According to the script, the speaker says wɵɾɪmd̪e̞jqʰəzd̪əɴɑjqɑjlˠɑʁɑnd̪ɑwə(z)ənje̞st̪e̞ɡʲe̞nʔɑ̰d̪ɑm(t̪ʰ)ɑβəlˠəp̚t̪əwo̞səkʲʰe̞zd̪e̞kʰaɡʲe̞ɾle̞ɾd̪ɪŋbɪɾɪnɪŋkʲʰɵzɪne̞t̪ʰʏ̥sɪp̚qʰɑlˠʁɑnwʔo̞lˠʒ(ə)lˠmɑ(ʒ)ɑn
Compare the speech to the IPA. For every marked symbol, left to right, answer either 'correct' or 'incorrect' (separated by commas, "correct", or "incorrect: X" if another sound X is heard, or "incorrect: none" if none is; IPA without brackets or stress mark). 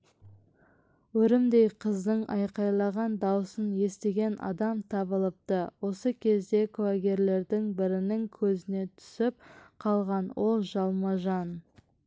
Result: incorrect: s, correct, incorrect: ɑ, correct